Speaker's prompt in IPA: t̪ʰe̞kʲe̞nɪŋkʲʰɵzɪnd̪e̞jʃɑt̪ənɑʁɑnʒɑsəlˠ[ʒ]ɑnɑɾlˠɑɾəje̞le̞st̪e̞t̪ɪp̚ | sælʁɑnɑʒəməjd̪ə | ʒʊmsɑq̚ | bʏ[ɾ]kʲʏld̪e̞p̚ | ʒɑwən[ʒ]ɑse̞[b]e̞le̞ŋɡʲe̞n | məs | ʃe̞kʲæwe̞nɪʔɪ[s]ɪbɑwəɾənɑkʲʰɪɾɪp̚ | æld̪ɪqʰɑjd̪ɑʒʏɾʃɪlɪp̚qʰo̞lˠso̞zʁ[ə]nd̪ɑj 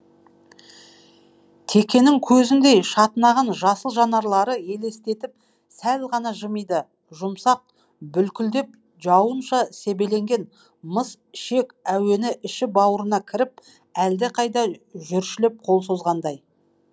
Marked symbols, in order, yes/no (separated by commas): yes, no, no, yes, no, no